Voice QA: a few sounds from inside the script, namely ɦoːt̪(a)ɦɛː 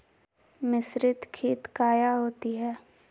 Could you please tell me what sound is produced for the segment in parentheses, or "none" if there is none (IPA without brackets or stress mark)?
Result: i